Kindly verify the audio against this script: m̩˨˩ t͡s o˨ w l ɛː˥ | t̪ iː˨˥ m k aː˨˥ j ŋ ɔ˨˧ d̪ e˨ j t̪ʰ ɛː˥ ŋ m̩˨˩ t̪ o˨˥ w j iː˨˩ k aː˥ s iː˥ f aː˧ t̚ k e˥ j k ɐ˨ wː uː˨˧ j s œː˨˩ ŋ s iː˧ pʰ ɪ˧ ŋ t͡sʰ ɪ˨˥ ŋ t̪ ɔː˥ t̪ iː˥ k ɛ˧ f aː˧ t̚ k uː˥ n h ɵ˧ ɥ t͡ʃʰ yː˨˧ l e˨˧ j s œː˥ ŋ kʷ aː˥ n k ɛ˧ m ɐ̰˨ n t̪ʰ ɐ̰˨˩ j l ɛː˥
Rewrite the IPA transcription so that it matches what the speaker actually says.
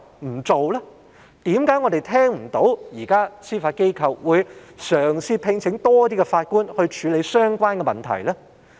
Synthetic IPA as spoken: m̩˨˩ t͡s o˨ w l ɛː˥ | t̪ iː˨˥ m k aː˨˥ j ŋ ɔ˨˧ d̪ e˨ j t̪ʰ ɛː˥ ŋ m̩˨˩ t̪ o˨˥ w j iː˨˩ k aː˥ s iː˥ f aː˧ t̚ k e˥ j kʰ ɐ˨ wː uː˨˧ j s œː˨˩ ŋ s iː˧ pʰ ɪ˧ ŋ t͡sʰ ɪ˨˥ ŋ t̪ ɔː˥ t̪ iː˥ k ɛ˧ f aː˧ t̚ k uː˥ n h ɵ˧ ɥ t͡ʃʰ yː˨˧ l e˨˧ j s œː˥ ŋ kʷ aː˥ n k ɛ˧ m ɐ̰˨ n t̪ʰ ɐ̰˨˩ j l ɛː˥

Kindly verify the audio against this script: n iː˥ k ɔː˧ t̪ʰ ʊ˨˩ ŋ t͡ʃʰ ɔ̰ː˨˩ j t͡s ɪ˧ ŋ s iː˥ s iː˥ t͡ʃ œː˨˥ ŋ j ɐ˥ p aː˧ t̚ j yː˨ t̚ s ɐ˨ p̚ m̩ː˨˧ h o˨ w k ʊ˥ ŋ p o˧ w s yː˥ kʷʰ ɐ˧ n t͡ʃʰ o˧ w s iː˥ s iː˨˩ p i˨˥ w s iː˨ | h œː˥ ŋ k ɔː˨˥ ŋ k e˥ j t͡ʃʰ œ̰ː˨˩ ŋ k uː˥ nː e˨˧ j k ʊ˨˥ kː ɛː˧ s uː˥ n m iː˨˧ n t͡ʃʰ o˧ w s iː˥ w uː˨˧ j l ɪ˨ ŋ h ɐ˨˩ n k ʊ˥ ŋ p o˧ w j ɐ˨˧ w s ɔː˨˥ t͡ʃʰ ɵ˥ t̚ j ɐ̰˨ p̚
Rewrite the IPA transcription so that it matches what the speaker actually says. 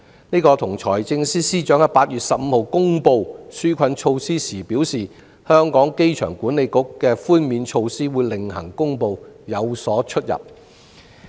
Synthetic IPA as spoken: n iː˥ k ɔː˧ t̪ʰ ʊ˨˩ ŋ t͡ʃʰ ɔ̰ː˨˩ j t͡s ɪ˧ ŋ s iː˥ s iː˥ t͡ʃ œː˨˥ ŋ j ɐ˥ p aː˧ t̚ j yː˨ t̚ s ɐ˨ p̚ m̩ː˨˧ h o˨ w k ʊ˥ ŋ p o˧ w s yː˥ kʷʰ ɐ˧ n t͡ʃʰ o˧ w s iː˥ s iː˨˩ p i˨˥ w s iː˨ | h œː˥ ŋ k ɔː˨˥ ŋ k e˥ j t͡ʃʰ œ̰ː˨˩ ŋ k uː˨˥ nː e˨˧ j k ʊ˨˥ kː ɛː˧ f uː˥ n m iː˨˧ n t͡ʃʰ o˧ w s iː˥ w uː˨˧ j l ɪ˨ ŋ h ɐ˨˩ ŋ k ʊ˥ ŋ p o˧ w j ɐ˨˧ w s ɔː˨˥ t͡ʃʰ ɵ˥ t̚ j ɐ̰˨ p̚

